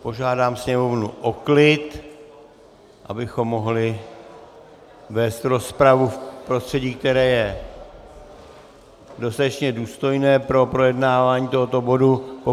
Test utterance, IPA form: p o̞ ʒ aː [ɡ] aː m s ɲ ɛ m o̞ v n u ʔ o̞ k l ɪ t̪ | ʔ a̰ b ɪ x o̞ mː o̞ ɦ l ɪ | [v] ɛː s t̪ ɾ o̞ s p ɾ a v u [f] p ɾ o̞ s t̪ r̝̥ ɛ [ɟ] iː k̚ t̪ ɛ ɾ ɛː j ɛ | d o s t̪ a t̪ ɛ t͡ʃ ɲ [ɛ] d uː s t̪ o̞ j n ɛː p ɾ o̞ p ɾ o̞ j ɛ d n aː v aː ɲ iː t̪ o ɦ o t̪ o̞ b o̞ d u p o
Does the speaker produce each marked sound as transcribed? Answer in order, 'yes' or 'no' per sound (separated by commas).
no, yes, yes, yes, yes